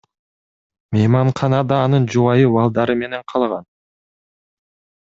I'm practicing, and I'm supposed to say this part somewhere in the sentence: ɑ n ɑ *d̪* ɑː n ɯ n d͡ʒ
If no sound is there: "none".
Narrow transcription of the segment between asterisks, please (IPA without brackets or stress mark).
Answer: d̪